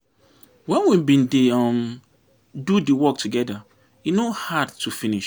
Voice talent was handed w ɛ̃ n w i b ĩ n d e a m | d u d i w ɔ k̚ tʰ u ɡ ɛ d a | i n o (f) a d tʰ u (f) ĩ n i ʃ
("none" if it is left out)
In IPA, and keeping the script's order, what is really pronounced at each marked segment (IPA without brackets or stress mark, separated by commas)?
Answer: h, f